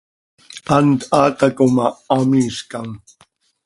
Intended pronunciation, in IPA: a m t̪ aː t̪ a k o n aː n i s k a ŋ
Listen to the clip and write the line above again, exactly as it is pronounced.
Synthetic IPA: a n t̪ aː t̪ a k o m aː m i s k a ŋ